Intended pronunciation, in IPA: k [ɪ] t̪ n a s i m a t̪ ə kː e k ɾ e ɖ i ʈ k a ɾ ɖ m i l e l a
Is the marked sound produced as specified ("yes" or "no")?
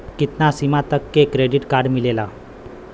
no